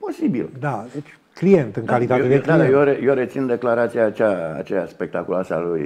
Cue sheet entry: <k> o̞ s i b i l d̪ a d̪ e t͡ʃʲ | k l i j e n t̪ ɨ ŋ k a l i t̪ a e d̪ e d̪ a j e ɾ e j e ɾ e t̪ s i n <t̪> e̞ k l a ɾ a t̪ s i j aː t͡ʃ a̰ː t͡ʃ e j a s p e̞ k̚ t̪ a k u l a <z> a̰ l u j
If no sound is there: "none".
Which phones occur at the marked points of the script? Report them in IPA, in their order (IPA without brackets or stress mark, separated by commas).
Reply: p, d̪, s